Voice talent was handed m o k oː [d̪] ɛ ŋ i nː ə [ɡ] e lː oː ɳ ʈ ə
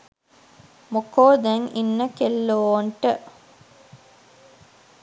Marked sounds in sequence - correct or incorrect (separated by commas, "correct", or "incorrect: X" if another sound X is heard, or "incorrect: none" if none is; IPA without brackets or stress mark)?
correct, incorrect: k